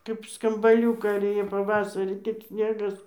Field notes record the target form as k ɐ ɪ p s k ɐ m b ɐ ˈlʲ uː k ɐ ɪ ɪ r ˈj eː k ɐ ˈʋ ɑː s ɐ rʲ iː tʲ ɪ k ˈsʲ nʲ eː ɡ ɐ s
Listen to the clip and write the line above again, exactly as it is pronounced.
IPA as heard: k ɐ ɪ p s k ɐ m b ɐ ˈlʲ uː k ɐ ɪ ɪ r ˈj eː p ɐ ˈʋ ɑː s ɐ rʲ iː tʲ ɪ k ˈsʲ nʲ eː ɡ ɐ s